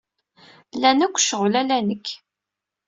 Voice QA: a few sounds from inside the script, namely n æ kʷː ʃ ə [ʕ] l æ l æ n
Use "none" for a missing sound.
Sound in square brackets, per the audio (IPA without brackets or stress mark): ʁ